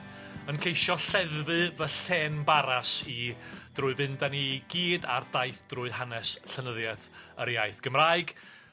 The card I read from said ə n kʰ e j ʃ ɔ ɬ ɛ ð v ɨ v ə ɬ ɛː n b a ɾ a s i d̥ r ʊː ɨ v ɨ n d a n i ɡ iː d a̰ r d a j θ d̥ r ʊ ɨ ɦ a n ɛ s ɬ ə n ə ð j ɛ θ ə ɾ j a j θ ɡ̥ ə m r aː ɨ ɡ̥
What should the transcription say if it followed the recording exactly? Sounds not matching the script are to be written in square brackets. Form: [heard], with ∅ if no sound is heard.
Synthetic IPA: ə n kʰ e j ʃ ɔ ɬ ɛ ð v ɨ v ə ɬ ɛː n b a ɾ a s i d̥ r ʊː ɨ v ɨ n d a n i ɡ iː d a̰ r d a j θ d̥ r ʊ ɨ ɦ a n ɛ s ɬ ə n ə ð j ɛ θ ə ɾ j a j θ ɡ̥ ə m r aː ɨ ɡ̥